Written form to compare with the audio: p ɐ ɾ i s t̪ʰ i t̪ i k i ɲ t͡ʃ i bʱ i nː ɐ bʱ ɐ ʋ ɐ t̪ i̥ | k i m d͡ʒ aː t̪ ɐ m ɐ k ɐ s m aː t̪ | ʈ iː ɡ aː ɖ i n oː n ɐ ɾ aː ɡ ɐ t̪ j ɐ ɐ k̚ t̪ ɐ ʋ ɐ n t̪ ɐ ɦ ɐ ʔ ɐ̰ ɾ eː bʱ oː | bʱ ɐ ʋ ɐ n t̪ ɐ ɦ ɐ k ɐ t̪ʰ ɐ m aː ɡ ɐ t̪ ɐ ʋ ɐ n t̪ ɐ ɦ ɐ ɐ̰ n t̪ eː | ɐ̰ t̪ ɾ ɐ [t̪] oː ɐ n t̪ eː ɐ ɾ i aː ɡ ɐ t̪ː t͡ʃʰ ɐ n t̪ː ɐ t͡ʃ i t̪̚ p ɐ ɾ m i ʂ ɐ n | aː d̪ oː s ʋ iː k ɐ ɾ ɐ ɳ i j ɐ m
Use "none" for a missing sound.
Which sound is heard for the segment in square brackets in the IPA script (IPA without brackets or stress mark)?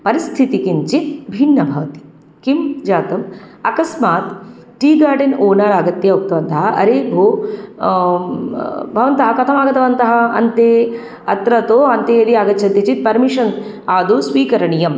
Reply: t̪